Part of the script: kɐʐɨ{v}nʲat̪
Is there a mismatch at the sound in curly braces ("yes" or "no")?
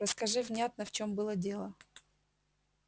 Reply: no